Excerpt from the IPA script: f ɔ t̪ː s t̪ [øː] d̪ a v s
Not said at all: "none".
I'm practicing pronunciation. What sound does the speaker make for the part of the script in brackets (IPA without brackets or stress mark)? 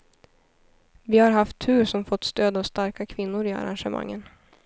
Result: øː